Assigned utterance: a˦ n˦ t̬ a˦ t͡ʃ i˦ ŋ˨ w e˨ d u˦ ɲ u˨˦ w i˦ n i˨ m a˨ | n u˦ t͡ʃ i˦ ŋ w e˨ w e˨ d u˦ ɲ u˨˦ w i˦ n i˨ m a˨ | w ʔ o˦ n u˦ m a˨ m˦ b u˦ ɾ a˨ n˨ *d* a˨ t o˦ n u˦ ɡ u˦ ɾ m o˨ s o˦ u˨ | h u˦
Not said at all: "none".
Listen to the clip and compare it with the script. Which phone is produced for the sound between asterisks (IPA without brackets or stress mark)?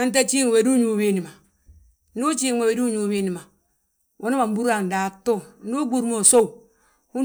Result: d